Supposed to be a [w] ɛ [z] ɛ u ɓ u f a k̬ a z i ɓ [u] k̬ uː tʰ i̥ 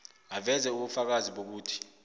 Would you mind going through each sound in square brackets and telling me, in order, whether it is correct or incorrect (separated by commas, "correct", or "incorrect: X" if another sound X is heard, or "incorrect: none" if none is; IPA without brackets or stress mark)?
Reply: incorrect: v, correct, incorrect: o